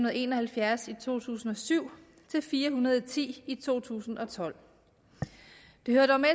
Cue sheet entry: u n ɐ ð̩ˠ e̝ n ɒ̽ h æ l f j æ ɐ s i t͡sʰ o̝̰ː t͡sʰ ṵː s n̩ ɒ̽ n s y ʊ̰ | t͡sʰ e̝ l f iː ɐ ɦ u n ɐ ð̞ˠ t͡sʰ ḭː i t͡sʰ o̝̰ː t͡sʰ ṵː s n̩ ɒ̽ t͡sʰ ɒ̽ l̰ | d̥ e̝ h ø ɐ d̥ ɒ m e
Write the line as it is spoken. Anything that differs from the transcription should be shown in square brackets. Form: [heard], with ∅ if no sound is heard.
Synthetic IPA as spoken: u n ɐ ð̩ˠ e̝ n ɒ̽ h æ l f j æ ɐ s i t͡sʰ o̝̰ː t͡sʰ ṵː s n̩ ɒ̽ [∅] s y ʊ̰ | t͡sʰ e̝ l f iː ɐ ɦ u n ɐ ð̞ˠ t͡sʰ ḭː i t͡sʰ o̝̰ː t͡sʰ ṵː s n̩ ɒ̽ t͡sʰ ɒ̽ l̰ | d̥ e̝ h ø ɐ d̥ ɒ m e